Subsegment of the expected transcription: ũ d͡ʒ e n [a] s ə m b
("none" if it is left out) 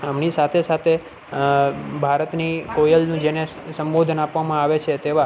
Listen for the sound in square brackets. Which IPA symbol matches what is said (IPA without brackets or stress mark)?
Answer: e